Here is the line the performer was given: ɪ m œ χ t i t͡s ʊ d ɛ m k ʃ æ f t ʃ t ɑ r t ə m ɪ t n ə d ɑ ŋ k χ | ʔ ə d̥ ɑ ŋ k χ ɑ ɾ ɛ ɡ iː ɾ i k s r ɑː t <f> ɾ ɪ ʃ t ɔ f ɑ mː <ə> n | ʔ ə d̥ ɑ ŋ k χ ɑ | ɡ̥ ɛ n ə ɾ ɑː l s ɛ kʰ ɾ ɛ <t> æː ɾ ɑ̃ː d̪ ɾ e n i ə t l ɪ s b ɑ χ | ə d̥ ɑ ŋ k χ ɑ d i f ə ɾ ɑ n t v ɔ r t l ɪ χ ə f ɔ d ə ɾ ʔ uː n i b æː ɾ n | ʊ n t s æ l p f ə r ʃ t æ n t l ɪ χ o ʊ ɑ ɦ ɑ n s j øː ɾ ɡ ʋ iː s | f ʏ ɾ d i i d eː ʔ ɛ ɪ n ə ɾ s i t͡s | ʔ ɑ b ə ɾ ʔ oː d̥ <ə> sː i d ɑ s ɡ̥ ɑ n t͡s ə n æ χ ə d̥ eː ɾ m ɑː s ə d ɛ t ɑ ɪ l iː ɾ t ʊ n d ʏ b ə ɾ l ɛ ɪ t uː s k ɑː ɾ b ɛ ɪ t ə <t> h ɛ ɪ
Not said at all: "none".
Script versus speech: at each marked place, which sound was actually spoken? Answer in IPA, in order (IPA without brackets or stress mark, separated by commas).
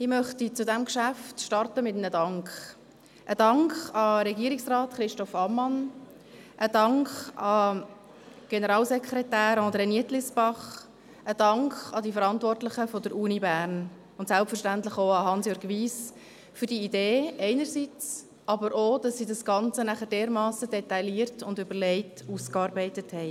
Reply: χ, ɑ, t, ɑ, t